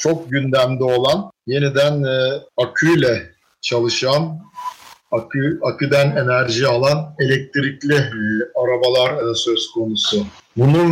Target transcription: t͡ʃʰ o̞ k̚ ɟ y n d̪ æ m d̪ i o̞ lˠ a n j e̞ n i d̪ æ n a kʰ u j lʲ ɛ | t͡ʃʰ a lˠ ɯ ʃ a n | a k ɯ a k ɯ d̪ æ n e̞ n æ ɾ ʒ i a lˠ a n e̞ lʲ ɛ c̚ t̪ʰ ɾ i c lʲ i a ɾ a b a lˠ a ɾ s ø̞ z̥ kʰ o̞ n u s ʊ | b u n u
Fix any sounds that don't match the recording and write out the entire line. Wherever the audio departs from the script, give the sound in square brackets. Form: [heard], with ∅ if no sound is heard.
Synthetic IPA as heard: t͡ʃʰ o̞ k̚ ɟ y n d̪ æ m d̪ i o̞ lˠ a n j e̞ n i d̪ æ n a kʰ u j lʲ ɛ | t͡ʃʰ a lˠ ɯ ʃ a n | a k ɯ a k ɯ d̪ æ n e̞ n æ ɾ ʒ i a lˠ a n e̞ lʲ ɛ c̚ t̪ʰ ɾ i c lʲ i a ɾ a b a lˠ a ɾ s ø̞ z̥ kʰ o̞ n u s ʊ | b u n u